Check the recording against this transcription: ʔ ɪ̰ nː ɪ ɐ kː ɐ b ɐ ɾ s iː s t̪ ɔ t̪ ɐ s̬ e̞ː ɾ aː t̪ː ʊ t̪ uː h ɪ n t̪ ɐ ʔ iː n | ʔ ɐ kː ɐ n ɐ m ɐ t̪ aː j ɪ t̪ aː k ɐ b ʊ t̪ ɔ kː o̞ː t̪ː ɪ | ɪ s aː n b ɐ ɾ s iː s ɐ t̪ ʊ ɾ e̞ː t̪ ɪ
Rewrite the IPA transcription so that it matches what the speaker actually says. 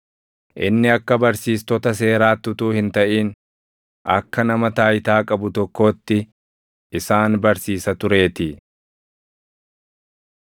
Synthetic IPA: ʔ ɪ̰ nː ɪ ɐ kː ɐ b ɐ ɾ s iː s t̪ ɔ t̪ ɐ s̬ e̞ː ɾ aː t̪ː ʊ t̪ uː h ɪ n t̪ ɐ ʔ iː n | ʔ ɐ kː ɐ n ɐ m ɐ t̪ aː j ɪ t̪ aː kʼ ɐ b ʊ t̪ ɔ kː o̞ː t̪ː ɪ | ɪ s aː n b ɐ ɾ s iː s ɐ t̪ ʊ ɾ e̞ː t̪ ɪ